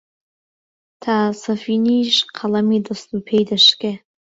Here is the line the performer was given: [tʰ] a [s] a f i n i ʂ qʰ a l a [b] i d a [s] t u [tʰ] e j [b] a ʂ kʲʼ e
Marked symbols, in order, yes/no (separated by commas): yes, yes, no, yes, no, no